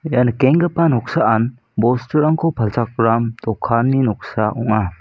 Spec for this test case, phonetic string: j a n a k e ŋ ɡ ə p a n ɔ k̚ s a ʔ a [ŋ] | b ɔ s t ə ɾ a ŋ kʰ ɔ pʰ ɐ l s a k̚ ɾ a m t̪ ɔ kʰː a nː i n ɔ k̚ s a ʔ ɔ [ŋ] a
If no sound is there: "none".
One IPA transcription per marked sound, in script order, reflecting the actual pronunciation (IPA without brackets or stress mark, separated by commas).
n, ŋ